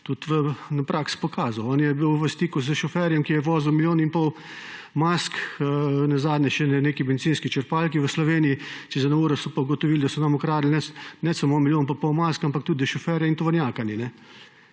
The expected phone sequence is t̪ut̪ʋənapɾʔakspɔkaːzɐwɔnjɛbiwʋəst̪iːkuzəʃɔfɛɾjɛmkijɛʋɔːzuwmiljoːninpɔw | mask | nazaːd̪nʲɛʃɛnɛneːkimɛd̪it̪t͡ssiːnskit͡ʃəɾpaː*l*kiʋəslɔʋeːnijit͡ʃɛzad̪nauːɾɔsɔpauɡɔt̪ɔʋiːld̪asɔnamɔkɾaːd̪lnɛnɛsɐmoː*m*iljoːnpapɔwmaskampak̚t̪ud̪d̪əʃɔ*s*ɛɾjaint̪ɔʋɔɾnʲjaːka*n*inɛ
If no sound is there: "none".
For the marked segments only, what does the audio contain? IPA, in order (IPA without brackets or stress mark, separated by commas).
l, m, f, n